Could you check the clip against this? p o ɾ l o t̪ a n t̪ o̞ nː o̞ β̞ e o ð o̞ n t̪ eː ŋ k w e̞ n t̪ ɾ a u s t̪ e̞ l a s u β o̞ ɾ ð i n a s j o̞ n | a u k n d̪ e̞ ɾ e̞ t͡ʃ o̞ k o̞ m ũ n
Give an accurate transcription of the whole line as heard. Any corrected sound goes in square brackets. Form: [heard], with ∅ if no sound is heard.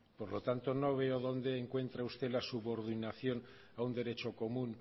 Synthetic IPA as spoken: p o ɾ l o t̪ a n t̪ o̞ [n] o̞ β̞ e o ð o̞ n [d̪] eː ŋ k w e̞ n t̪ ɾ a u s t̪ e̞ l a s u β o̞ ɾ ð i n a [θ] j o̞ n | a u [∅] n d̪ e̞ ɾ e̞ t͡ʃ o̞ k o̞ m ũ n